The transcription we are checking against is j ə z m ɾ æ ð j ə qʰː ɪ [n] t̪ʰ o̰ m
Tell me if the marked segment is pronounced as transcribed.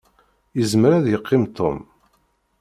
no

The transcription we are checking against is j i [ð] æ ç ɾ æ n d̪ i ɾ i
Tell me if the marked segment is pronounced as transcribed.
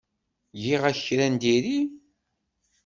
no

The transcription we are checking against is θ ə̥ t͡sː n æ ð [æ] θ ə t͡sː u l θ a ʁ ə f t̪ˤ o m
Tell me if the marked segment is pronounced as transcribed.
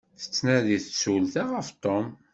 no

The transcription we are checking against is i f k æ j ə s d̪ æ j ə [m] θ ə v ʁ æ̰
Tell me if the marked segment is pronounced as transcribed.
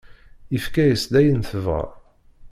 no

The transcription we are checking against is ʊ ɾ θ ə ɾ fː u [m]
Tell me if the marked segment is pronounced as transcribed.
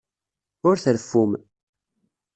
yes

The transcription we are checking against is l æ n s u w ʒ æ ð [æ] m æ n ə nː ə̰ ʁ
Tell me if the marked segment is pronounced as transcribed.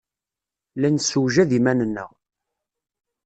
no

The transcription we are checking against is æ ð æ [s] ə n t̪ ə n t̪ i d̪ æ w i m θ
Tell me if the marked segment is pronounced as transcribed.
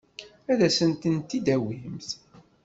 yes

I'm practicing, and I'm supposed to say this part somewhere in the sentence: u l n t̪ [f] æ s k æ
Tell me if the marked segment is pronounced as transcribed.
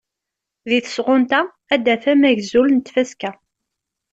yes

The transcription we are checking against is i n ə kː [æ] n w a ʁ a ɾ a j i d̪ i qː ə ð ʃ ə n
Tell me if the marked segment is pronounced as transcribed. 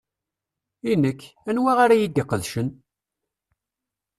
yes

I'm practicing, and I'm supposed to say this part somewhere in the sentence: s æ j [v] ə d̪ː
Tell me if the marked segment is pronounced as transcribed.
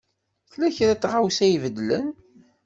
yes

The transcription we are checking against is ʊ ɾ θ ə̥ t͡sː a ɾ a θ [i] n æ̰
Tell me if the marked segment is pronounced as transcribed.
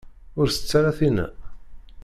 yes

